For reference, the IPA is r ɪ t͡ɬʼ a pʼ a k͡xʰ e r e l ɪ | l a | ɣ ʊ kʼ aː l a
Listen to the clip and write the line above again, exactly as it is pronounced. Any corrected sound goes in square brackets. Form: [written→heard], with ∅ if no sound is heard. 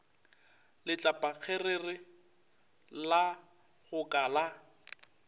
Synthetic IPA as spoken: [r→l] ɪ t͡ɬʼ a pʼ a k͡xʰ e r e [l→r] ɪ | l a | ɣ ʊ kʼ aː l a